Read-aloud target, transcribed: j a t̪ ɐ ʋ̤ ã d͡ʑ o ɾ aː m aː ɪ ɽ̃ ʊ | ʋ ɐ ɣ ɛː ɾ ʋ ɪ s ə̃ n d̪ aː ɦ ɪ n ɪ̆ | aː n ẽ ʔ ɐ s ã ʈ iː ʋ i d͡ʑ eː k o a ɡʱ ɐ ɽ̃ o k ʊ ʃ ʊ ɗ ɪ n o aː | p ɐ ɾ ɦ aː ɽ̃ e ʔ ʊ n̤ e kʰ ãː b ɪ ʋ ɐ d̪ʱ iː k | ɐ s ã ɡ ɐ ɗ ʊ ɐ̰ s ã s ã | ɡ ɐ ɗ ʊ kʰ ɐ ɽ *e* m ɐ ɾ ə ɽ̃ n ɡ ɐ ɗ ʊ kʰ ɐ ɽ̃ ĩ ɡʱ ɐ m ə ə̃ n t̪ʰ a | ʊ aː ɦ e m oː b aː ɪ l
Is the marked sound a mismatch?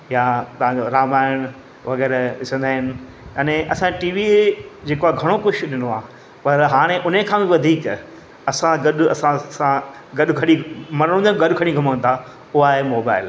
yes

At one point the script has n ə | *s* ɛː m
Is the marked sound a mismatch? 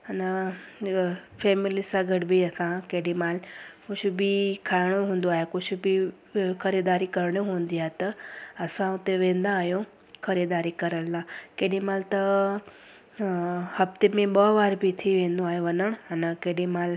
yes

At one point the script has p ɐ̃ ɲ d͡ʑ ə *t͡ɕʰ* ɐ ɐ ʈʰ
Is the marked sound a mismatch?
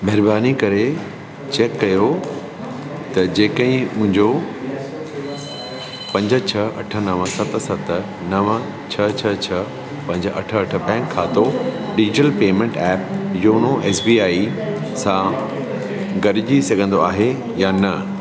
no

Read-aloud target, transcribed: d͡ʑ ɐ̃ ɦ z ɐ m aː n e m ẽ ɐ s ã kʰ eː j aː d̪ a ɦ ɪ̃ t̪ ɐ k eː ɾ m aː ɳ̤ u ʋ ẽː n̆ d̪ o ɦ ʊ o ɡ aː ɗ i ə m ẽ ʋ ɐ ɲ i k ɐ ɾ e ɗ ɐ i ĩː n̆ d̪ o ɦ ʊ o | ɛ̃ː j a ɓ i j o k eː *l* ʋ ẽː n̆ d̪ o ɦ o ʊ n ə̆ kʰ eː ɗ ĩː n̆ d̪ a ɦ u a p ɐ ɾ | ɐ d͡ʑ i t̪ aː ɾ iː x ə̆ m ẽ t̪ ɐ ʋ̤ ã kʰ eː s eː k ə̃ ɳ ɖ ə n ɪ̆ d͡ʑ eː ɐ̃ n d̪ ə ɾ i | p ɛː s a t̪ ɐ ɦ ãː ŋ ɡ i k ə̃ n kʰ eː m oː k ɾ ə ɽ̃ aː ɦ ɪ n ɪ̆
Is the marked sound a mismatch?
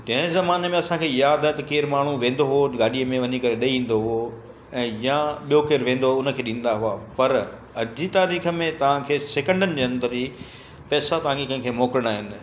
yes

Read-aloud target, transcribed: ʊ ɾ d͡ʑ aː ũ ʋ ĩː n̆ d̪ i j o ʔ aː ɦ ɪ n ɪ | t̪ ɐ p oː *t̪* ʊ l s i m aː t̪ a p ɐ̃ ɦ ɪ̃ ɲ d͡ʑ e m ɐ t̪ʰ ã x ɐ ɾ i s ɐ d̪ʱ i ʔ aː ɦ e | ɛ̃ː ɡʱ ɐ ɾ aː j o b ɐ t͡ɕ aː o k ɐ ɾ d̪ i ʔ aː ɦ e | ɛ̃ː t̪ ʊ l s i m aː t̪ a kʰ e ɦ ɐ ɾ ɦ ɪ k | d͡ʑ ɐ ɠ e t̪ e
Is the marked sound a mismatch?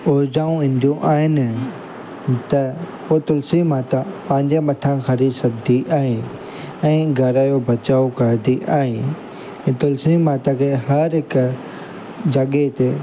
no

